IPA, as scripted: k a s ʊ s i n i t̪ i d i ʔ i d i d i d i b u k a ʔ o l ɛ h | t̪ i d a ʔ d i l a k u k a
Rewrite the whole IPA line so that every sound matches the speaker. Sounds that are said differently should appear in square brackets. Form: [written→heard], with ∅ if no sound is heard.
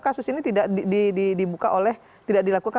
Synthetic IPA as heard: k a s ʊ s i n i t̪ i d [i→a] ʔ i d i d i d i b u k a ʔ o l ɛ h | t̪ i d a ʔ d i l a k u k a